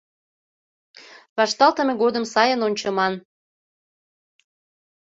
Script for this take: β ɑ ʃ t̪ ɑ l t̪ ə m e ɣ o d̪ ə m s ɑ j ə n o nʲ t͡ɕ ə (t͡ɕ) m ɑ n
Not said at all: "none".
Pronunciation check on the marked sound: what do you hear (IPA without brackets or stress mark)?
none